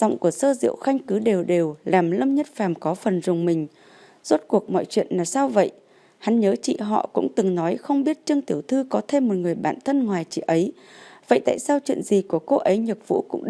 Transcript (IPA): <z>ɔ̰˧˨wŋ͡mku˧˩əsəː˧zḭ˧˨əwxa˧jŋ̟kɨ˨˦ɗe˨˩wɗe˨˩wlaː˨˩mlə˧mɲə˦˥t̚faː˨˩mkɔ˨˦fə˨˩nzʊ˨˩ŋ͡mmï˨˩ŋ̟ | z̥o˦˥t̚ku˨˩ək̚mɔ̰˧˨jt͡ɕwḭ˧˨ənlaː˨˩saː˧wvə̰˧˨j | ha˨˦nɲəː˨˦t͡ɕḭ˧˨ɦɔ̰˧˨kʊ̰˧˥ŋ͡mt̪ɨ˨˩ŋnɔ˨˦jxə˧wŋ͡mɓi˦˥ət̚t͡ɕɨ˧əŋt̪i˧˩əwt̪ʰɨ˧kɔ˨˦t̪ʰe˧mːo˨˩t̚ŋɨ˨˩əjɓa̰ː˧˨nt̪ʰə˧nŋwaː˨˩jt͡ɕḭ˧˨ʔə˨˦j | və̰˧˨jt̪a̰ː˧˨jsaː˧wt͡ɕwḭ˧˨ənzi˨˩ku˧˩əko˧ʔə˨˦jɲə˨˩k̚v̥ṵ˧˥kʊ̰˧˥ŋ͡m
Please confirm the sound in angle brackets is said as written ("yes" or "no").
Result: yes